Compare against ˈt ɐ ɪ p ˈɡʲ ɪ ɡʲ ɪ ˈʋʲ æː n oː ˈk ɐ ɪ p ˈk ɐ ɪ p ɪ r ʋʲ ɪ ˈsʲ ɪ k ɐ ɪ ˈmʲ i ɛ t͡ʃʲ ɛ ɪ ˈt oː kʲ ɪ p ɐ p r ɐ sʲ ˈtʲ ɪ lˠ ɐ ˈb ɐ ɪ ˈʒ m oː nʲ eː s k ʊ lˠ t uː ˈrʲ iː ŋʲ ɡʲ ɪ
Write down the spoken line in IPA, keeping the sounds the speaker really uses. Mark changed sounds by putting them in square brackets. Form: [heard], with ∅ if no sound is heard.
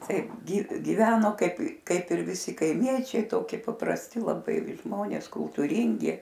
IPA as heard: ˈt ɐ ɪ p ˈɡʲ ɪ ɡʲ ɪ ˈʋʲ æː n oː ˈk ɐ ɪ p ˈk ɐ ɪ p ɪ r ʋʲ ɪ ˈsʲ ɪ k ɐ ɪ ˈmʲ i ɛ t͡ʃʲ ɛ ɪ ˈt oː kʲ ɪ p ɐ p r ɐ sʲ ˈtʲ ɪ lˠ ɐ ˈb ɐ ɪ ˈʒ m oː nʲ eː s k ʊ lˠ t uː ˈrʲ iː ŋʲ ɡʲ ɪ